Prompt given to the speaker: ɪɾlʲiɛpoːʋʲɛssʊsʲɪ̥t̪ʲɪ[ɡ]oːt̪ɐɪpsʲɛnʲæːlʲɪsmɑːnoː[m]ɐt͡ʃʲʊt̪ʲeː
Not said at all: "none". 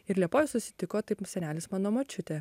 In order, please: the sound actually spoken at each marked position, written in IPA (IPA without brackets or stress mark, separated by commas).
k, m